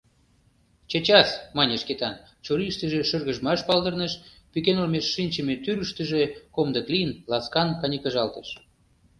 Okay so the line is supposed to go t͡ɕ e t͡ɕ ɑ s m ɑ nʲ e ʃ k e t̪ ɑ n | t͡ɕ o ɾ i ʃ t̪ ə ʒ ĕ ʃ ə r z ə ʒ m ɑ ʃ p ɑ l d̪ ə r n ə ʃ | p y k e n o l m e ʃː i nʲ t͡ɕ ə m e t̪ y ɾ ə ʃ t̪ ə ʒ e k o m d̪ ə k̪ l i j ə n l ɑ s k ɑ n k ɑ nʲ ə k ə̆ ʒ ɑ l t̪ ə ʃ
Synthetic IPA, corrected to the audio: t͡ɕ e t͡ɕ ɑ s m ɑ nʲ e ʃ k e t̪ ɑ n | t͡ɕ o ɾ i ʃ t̪ ə ʒ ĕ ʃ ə r ɣ ə ʒ m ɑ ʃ p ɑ l d̪ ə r n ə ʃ | p y k e n o l m e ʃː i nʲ t͡ɕ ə m e t̪ y ɾ ə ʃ t̪ ə ʒ e k o m d̪ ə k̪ l i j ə n l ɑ s k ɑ n k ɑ nʲ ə k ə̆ ʒ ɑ l t̪ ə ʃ